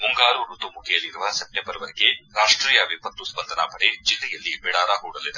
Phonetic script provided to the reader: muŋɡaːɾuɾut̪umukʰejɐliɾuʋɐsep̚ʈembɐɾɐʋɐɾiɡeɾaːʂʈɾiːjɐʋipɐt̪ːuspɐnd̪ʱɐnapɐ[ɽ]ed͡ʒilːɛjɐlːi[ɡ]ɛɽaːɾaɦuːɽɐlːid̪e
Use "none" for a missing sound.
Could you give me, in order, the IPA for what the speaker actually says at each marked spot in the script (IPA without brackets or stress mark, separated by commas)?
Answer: ɽ, b